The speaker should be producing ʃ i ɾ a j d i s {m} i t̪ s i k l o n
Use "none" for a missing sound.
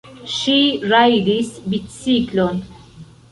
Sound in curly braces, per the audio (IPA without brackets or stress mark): b